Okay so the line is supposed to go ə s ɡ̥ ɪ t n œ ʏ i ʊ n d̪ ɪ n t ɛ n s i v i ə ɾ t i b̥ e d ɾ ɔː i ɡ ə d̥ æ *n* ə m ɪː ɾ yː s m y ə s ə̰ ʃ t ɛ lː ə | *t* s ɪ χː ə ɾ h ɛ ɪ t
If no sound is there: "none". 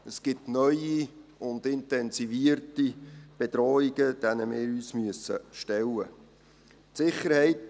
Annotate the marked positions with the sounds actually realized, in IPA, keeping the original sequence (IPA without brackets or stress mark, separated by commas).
n, t